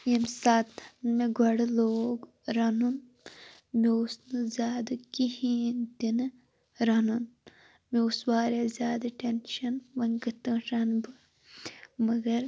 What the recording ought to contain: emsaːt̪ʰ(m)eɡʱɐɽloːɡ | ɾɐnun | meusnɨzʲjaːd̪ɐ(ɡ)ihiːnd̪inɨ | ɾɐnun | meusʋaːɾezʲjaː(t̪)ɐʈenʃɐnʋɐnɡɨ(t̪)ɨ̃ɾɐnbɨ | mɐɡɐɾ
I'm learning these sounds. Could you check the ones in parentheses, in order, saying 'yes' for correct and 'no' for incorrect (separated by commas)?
yes, no, no, yes